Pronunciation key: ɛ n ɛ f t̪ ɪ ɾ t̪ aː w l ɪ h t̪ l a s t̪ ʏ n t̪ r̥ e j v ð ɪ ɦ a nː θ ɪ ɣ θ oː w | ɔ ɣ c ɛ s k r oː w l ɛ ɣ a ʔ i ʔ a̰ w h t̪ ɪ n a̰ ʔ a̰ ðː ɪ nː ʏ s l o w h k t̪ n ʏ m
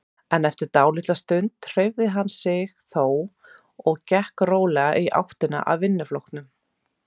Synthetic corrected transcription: ɛ n ɛ f t̪ ɪ ɾ t̪ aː w l ɪ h t̪ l a s t̪ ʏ n t̪ r̥ e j v ð ɪ ɦ a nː s ɪ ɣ θ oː w | ɔ ɣ c ɛ h k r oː w l ɛ ɣ a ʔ i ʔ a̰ w h t̪ ɪ n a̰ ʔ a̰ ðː ɪ nː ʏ f l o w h k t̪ n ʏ m